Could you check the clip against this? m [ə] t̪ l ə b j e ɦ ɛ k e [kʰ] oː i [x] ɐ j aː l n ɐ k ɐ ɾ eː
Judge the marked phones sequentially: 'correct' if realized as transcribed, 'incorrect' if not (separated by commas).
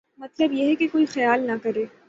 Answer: incorrect, incorrect, correct